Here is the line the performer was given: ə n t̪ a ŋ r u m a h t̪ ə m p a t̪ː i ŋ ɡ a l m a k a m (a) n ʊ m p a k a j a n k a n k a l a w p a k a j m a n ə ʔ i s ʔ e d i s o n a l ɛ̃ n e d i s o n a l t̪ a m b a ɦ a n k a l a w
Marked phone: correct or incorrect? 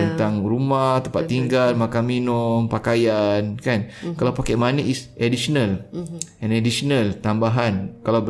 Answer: incorrect